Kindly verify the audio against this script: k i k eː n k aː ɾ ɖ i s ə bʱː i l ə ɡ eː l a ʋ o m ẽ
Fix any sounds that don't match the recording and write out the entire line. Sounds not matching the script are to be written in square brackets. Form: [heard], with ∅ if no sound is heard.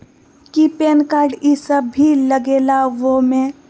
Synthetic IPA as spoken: k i [p] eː n k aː ɾ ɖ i s ə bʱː i l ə ɡ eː l a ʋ o m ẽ